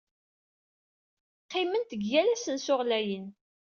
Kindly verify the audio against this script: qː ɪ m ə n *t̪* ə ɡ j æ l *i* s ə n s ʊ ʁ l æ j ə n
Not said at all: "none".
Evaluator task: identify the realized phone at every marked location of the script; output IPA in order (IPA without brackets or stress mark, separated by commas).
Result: t̪, æ